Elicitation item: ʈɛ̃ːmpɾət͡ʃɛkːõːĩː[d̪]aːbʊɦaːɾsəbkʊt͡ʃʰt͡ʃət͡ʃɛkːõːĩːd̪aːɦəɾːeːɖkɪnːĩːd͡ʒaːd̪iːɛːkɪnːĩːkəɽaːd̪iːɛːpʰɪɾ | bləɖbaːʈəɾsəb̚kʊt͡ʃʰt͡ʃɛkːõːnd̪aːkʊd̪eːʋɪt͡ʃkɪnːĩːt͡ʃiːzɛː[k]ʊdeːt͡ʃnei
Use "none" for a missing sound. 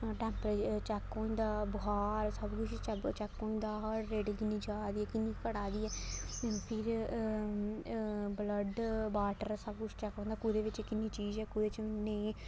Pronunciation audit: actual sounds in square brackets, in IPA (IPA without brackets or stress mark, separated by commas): d̪, k